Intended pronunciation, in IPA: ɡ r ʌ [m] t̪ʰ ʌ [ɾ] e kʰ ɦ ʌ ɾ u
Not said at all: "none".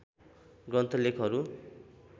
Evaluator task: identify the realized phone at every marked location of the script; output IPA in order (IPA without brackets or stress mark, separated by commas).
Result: n, l